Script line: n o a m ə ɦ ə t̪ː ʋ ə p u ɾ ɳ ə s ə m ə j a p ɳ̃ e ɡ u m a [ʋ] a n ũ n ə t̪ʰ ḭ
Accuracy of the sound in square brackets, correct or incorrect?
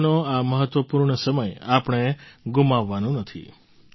incorrect